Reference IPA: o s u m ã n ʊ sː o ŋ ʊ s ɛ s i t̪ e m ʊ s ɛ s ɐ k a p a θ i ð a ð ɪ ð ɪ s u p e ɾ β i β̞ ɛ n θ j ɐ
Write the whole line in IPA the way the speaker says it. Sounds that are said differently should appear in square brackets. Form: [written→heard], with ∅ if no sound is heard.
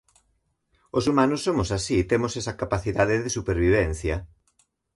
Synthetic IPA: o s u m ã n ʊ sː o [ŋ→m] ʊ s [ɛ→a] s i t̪ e m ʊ s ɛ s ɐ k a p a θ i ð a ð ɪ ð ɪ s u p e ɾ β i β̞ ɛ n θ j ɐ

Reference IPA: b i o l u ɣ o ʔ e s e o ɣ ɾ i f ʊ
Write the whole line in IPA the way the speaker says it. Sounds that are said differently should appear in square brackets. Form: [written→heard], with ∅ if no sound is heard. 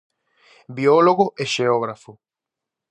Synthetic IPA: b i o l [u→o] ɣ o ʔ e [s→ʃ] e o ɣ ɾ [i→a] f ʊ

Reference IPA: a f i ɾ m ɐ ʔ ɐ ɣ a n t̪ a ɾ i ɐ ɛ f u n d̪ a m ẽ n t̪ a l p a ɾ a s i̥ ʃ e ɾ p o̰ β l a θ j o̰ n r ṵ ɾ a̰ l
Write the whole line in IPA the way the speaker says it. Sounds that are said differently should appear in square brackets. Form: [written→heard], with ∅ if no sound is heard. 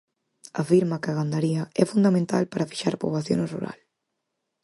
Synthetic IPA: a f i ɾ m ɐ [ʔ→k] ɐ ɣ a n [t̪→d̪] a ɾ i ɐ ɛ f u n d̪ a m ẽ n t̪ a l p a ɾ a [s→f] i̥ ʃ [e→a] ɾ p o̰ β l a θ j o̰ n r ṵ ɾ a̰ l

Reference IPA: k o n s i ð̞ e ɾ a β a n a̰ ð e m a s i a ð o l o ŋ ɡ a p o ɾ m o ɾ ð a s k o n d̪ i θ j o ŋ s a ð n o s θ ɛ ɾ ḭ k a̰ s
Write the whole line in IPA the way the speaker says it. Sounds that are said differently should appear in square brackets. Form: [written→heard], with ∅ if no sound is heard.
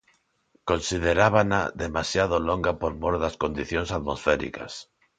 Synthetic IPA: k o n s i ð̞ e ɾ a β a n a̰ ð e m a s [i→j] a ð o l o ŋ ɡ a p o ɾ m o ɾ ð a s k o n d̪ i θ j o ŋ s a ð [n→m] o s [θ→f] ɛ ɾ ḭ k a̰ s

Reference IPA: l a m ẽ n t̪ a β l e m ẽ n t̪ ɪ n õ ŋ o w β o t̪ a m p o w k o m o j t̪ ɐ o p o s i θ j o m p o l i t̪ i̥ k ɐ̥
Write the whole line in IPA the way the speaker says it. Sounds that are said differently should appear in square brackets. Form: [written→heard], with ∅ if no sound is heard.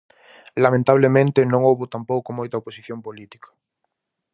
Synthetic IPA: l a m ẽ n t̪ a β l e m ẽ n t̪ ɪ n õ ŋ o w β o t̪ a m p o w k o m o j t̪ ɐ o p o s i θ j o m p o l i t̪ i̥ k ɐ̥

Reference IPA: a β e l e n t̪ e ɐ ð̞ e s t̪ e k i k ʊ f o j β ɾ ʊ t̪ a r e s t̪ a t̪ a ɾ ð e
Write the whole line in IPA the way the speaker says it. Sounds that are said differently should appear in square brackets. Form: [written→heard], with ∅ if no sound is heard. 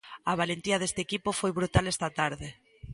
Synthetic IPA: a β [e→a] l e n t̪ [e→i] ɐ ð̞ e s t̪ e k i [k→p] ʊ f o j β ɾ [ʊ→u] t̪ a [r→l] e s t̪ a t̪ a ɾ ð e

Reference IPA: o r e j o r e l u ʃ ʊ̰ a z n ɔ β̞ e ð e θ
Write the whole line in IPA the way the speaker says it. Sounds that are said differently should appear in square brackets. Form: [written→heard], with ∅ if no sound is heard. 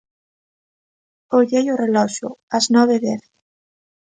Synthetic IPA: o [r→ʎ] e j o r e l [u→ɔ] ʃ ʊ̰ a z n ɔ β̞ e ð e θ

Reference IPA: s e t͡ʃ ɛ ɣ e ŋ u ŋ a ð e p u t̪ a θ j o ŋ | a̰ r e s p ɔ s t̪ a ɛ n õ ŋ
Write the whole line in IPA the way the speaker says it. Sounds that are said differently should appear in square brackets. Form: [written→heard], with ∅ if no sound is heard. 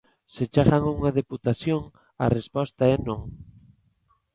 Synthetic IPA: s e t͡ʃ [ɛ→a] ɣ [e→a] ŋ u ŋ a ð e p u t̪ a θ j o ŋ | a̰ r e s p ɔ s t̪ a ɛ n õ ŋ

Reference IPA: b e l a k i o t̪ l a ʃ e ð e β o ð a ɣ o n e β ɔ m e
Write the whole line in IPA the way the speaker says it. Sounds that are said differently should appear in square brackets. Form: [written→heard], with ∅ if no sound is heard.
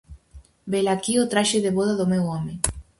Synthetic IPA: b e l a k i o t̪ [l→ɾ] a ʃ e ð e β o ð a [ɣ→ð] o [n→m] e [β→w] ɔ m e

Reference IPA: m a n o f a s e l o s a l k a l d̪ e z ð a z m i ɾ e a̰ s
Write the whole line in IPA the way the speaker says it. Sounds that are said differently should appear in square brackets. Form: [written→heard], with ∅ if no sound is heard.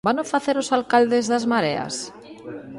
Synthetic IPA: [m→b] a n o f a [s→θ] e [l→ɾ] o s a l k a l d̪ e z ð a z m [i→a] ɾ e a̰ s

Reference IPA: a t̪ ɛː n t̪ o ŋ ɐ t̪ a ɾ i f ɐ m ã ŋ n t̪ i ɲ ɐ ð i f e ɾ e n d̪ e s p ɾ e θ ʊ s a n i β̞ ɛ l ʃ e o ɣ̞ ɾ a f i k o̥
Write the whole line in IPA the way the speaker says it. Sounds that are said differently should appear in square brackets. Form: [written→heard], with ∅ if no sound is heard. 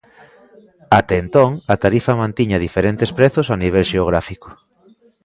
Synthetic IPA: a t̪ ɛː n t̪ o ŋ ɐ t̪ a ɾ i f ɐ m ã [ŋ→∅] n t̪ i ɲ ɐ ð i f e ɾ e n [d̪→t̪] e s p ɾ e θ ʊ s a n i β̞ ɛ l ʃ e o ɣ̞ ɾ a f i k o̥

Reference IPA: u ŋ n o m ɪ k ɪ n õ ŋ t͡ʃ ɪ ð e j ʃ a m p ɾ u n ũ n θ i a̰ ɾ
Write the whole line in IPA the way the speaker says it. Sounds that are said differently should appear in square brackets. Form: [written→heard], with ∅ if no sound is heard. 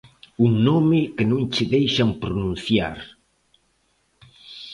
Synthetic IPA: u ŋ n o m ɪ k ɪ n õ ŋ t͡ʃ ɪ ð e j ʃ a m p ɾ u n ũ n θ [i→j] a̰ ɾ

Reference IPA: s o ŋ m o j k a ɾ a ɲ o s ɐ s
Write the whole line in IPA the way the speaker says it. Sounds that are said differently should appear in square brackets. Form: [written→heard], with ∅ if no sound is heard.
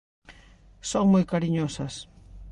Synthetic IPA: s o ŋ m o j k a ɾ [a→i] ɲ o s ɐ s

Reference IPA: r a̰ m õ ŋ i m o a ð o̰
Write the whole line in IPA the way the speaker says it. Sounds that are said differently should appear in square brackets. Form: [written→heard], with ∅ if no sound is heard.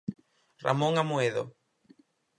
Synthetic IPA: r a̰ m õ ŋ [i→a] m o [a→e] ð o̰

